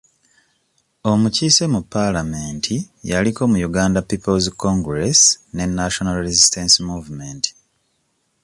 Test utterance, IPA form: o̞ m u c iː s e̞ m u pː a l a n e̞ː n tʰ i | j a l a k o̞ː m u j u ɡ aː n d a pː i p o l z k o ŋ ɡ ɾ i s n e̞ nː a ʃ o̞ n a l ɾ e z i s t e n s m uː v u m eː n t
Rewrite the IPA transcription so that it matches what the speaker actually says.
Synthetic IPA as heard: o̞ m u c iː s e̞ m u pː a l a m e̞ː n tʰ i | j a l i k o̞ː m u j u ɡ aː n d a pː i p o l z k o ŋ ɡ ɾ e s n e̞ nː a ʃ o̞ n a l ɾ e z i s t e n s m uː v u m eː n t